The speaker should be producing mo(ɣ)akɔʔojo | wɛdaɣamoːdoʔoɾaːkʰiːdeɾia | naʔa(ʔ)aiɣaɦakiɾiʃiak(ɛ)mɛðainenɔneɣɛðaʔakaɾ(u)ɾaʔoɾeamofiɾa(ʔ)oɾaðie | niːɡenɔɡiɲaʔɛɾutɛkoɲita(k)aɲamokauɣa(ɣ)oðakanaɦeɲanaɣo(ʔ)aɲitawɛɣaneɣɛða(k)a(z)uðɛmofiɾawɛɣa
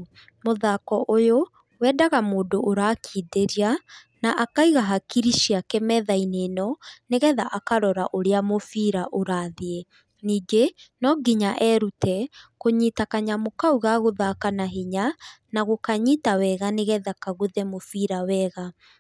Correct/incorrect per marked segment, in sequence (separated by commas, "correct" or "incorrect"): incorrect, incorrect, correct, incorrect, correct, correct, correct, incorrect, correct, incorrect